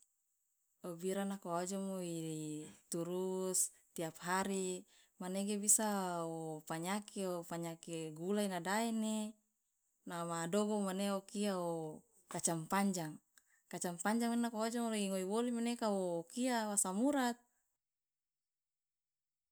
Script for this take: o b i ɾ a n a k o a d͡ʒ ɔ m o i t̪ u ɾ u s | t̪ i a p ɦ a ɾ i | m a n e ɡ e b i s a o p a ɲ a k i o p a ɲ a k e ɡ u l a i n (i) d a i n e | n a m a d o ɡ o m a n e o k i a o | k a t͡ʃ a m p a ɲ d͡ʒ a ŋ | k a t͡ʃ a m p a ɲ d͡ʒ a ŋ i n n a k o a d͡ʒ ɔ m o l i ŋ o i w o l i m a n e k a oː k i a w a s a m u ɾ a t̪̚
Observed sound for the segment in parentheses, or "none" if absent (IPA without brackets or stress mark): a